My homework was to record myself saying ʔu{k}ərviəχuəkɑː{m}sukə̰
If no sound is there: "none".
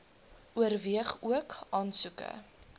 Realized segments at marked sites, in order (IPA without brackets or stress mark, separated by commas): none, n